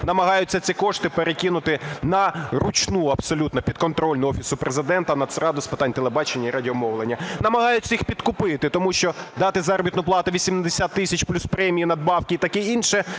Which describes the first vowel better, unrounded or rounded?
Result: unrounded